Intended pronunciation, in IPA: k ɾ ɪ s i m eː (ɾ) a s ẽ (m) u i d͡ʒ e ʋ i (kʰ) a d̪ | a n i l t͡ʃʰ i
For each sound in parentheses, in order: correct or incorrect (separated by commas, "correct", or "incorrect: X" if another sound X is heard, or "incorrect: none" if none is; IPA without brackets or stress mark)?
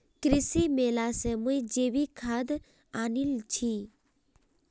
incorrect: l, correct, correct